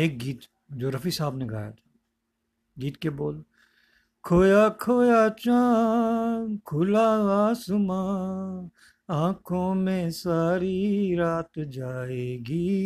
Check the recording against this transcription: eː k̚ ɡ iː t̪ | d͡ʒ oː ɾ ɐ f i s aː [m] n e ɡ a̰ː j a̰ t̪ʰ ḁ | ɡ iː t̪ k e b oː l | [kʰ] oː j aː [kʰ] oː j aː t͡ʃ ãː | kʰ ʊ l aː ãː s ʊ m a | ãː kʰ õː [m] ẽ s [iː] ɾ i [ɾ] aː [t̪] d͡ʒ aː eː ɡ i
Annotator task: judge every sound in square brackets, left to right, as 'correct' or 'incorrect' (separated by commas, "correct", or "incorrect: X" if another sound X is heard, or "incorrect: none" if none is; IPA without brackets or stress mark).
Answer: incorrect: b, correct, correct, correct, incorrect: aː, correct, correct